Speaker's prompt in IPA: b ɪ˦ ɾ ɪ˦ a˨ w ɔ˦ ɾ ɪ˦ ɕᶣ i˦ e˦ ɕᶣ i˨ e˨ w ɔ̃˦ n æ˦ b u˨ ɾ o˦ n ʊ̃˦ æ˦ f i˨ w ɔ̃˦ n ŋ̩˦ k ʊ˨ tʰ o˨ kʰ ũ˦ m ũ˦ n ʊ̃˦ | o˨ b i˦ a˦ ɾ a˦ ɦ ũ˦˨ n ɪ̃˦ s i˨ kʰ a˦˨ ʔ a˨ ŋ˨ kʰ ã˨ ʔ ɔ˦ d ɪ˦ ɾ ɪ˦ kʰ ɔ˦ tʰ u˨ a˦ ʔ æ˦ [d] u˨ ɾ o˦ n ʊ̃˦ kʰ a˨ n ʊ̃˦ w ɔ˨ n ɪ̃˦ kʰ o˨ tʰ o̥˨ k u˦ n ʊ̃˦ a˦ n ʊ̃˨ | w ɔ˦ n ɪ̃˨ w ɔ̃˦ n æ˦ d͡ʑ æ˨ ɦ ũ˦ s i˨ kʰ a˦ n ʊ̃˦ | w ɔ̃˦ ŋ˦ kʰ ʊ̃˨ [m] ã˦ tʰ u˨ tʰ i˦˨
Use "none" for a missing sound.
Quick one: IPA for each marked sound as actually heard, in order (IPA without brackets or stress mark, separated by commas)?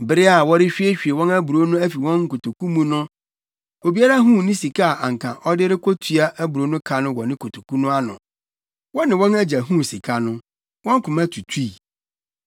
b, m